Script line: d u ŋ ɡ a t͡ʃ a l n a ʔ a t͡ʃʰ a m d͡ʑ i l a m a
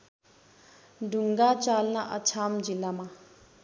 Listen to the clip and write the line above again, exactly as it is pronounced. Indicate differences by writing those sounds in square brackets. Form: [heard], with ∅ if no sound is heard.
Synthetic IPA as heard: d u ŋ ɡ a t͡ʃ a l n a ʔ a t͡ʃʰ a m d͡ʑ i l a m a